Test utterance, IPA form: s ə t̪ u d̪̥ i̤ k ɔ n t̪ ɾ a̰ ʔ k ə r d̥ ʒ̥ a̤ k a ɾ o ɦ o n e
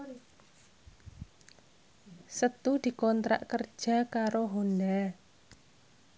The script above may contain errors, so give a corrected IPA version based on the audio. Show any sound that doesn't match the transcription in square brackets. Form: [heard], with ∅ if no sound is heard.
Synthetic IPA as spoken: s ə t̪ u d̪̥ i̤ k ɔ n t̪ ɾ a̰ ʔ k ə r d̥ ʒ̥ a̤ k a ɾ o ɦ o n [a]